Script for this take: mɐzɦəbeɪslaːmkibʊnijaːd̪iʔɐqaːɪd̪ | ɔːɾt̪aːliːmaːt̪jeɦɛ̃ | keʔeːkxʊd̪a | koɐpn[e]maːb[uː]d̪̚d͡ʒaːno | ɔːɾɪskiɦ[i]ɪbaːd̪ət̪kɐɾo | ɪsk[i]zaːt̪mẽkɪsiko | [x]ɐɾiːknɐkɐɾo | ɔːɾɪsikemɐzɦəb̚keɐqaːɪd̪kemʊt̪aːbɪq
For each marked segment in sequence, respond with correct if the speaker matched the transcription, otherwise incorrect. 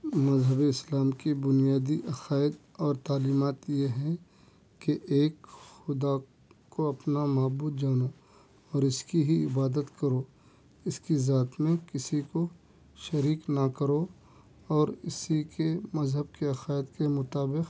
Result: incorrect: a, correct, correct, correct, incorrect: ʃ

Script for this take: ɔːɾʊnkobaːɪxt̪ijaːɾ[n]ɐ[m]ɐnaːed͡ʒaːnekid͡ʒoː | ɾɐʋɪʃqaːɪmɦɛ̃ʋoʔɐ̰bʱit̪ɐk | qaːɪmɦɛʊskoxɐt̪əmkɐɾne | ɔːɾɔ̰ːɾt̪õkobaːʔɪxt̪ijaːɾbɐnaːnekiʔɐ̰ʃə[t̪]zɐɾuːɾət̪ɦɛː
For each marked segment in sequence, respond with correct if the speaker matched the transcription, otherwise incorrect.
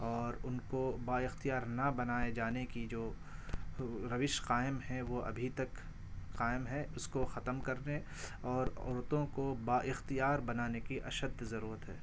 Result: correct, incorrect: b, incorrect: d̪

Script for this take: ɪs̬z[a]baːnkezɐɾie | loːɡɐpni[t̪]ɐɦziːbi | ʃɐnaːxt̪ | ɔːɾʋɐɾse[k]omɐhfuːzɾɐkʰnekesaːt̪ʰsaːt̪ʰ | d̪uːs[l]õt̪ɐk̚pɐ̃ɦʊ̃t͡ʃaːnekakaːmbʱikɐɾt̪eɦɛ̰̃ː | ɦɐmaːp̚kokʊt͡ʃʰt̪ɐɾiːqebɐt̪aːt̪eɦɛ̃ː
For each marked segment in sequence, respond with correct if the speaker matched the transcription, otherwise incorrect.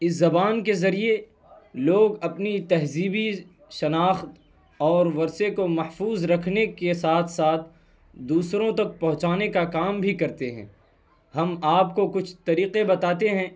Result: incorrect: ɐ, correct, correct, incorrect: ɾ

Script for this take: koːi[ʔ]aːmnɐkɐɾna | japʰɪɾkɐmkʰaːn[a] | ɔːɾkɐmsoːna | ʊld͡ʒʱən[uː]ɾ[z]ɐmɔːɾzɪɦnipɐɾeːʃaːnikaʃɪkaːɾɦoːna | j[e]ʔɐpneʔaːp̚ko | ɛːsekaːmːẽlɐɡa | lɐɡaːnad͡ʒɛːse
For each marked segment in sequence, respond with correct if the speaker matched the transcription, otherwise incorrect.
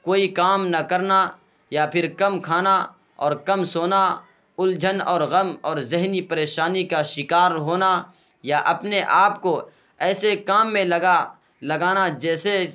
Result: incorrect: k, correct, incorrect: ɔː, incorrect: ɣ, incorrect: a

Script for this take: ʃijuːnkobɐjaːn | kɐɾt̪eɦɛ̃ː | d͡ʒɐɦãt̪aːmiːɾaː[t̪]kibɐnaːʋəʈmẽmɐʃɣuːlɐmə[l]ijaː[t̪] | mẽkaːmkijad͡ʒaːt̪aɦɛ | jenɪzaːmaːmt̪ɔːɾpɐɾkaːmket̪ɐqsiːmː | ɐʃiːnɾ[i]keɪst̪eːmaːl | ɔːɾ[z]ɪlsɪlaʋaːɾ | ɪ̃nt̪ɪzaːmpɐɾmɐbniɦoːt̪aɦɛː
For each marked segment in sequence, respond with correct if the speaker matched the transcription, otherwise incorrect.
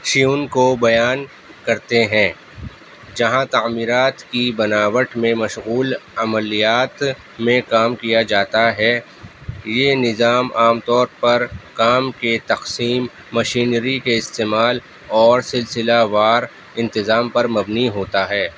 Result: correct, correct, correct, correct, incorrect: s

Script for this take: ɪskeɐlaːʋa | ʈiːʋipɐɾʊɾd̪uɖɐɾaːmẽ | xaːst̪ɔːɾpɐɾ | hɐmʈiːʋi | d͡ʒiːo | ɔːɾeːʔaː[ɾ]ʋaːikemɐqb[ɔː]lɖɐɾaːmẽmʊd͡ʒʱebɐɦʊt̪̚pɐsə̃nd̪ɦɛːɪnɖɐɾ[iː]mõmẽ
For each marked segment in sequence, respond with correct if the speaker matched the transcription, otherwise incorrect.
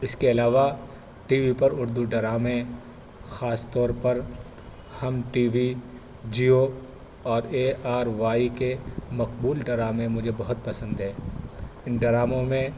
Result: correct, incorrect: uː, incorrect: aː

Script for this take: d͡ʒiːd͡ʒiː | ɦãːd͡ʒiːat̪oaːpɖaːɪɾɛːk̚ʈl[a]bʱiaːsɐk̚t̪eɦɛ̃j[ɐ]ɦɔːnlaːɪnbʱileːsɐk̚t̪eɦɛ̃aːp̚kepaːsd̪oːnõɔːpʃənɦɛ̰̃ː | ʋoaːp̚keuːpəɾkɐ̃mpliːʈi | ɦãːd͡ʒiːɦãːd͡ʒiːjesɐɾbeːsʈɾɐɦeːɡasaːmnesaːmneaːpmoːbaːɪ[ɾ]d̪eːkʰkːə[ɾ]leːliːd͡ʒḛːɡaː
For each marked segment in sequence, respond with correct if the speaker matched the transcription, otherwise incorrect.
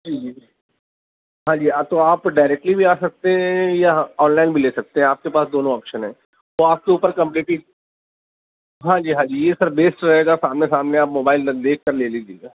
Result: incorrect: i, incorrect: a, incorrect: l, correct

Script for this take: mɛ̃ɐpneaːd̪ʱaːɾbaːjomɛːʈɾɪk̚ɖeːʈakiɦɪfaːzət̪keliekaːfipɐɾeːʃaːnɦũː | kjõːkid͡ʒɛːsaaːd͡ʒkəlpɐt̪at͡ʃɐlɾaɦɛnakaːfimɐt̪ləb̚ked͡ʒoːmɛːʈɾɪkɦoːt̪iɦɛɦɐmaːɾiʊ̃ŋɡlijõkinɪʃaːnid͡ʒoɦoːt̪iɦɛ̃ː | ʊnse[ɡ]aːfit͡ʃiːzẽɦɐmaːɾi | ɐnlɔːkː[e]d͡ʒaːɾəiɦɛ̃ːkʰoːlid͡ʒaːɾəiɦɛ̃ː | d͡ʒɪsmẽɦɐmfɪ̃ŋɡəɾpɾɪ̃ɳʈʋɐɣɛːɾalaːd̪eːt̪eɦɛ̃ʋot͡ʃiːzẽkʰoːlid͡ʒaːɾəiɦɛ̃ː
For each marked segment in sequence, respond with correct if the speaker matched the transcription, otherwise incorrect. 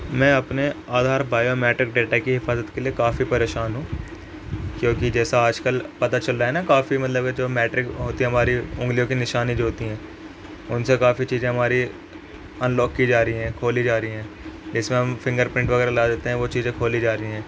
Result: incorrect: k, incorrect: i

